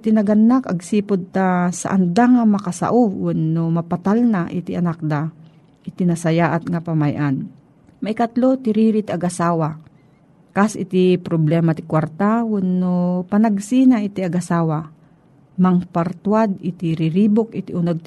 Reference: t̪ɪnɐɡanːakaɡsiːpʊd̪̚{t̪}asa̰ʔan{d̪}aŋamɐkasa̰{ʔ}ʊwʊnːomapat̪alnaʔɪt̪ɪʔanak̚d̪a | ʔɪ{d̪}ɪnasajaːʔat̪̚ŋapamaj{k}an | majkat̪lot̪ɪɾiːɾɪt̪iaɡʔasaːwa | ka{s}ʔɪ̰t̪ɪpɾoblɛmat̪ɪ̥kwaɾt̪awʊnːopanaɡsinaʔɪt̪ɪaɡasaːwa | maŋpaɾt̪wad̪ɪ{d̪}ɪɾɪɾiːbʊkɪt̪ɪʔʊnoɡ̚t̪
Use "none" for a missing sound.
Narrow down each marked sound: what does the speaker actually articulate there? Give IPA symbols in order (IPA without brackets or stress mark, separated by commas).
t̪, d̪, ʔ, t̪, ʔ, s, t̪